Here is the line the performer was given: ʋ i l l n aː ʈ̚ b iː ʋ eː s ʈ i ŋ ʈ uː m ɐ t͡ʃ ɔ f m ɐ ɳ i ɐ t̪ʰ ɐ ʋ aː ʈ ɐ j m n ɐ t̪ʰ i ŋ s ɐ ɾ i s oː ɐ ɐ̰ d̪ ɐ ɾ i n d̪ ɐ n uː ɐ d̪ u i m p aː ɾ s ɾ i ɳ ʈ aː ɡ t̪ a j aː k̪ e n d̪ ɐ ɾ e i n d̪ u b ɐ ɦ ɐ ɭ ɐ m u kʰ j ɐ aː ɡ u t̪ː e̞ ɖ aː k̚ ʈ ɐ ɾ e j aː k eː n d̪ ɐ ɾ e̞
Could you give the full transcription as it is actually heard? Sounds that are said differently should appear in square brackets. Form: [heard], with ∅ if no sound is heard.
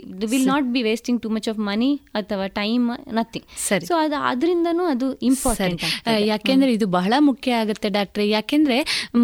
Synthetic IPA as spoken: ʋ i l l n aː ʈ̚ b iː ʋ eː s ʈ i ŋ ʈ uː m ɐ t͡ʃ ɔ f m ɐ [n] i ɐ t̪ʰ ɐ ʋ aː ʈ ɐ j m n ɐ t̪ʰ i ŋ s ɐ ɾ i s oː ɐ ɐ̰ d̪ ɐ ɾ i n d̪ ɐ n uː ɐ d̪ u i m p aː ɾ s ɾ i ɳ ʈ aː ɡ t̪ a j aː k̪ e n d̪ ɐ ɾ e i [∅] d̪ u b ɐ ɦ ɐ ɭ ɐ m u kʰ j ɐ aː ɡ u t̪ː e̞ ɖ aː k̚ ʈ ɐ ɾ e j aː k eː n d̪ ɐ ɾ e̞